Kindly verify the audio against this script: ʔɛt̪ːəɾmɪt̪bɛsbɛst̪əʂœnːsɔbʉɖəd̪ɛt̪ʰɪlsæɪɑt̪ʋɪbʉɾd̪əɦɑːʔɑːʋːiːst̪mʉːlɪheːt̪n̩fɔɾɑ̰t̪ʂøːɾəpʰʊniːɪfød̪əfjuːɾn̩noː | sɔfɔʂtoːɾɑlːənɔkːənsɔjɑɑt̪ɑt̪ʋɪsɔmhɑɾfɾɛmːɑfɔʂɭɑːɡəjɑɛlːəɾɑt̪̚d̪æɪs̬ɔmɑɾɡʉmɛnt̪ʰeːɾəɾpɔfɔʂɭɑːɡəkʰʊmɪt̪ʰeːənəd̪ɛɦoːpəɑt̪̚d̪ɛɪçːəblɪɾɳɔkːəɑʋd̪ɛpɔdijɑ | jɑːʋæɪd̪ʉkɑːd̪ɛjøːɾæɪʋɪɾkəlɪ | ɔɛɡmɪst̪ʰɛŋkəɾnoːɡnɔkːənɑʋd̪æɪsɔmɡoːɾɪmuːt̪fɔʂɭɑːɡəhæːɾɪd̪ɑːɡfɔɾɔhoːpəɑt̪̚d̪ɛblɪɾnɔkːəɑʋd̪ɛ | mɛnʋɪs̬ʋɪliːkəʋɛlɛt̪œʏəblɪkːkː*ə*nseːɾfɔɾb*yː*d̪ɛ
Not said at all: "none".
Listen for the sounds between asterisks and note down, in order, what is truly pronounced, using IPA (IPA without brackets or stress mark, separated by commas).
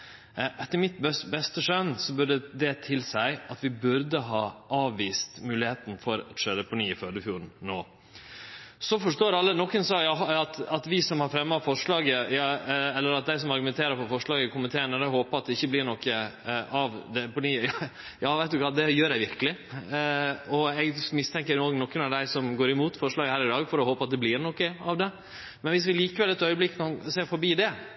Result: ɑ, iː